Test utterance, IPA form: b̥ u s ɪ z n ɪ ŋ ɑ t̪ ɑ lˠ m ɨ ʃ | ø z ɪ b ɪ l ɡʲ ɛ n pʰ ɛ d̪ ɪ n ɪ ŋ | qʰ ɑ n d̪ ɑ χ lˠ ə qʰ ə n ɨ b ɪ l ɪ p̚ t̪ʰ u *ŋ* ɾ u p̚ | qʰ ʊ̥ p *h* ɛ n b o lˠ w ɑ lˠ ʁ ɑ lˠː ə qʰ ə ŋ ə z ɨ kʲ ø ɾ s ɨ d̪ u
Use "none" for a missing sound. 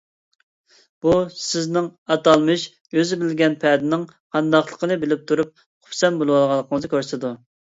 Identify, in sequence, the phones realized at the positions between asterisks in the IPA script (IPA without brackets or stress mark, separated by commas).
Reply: none, s